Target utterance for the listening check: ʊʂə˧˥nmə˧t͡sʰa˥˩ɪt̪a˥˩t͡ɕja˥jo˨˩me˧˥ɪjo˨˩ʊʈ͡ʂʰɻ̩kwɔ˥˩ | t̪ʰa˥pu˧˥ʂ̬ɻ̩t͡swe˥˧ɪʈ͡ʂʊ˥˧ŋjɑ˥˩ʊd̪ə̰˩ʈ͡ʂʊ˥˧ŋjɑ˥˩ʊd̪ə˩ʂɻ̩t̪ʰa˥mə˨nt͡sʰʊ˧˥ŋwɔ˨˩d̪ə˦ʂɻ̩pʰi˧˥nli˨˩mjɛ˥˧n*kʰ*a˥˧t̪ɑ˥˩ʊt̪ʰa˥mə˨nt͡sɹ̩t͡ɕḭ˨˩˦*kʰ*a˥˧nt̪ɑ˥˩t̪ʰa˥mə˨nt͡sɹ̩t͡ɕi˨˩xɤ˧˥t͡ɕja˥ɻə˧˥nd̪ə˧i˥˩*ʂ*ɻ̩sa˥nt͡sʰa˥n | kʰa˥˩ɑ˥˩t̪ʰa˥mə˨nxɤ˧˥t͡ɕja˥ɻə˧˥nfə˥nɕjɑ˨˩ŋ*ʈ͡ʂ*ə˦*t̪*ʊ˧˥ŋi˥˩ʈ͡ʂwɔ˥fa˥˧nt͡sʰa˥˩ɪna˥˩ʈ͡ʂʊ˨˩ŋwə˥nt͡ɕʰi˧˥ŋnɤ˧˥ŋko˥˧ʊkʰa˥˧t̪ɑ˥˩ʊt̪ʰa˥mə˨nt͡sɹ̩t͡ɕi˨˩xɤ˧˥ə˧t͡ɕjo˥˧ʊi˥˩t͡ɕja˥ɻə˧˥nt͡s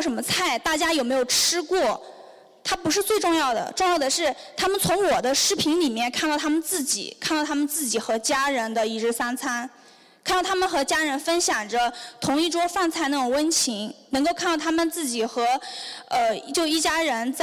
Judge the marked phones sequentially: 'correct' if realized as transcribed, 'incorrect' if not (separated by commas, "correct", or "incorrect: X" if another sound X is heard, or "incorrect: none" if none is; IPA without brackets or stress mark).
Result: correct, correct, incorrect: ʈ͡ʂ, correct, incorrect: t̪ʰ